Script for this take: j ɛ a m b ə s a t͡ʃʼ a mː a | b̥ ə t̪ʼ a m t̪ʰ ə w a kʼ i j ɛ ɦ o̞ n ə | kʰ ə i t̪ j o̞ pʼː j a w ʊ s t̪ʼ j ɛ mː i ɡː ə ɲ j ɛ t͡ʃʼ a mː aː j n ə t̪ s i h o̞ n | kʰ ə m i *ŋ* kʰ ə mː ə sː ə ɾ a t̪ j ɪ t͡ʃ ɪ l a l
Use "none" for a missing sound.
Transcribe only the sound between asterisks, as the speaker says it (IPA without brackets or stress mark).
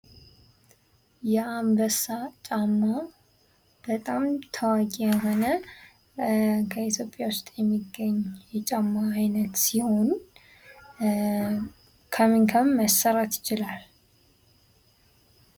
ŋ